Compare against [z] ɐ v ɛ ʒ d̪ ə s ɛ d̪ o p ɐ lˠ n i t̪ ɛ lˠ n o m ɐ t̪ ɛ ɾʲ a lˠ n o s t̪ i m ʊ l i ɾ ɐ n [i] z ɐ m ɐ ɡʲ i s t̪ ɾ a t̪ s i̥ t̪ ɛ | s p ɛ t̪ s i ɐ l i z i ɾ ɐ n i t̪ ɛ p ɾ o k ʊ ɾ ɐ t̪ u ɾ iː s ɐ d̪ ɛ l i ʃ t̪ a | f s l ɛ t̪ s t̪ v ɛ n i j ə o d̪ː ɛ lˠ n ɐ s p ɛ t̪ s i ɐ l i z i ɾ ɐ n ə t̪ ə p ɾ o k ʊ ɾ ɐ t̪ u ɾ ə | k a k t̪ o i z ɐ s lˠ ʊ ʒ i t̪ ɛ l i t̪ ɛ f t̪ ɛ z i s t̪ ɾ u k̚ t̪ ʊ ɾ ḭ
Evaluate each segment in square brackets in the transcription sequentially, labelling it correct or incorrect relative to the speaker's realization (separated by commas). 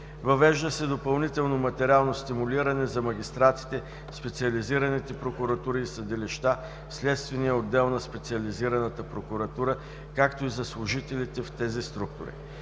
incorrect, incorrect